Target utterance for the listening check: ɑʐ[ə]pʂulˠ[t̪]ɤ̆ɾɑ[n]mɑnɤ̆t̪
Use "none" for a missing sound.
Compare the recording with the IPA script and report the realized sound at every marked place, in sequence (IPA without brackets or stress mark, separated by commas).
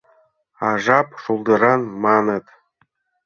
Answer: ɑ, d̪, n